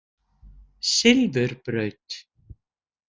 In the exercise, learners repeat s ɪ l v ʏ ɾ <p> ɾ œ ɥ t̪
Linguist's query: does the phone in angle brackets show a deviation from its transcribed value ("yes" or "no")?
no